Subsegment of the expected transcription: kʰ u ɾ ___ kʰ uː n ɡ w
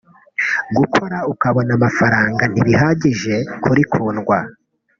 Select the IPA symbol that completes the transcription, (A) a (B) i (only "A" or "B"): B